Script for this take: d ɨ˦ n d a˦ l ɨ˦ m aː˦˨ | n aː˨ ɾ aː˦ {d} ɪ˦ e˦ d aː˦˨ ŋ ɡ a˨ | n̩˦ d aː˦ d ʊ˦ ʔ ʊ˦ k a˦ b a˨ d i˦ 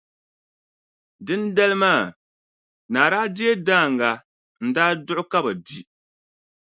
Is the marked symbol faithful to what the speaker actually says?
yes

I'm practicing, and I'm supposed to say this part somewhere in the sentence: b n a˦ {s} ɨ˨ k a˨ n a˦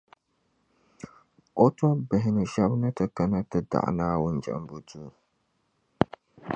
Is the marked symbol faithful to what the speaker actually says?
no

